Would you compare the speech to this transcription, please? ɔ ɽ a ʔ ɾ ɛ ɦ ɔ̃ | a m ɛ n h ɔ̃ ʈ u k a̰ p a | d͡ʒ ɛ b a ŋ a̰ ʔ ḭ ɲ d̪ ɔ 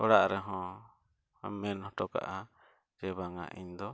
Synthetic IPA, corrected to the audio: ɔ ɽ a ʔ ɾ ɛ ɦ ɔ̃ | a m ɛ n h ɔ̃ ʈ ɔ k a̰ ʔ a | d͡ʒ ɛ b a ŋ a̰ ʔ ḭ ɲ d̪ ɔ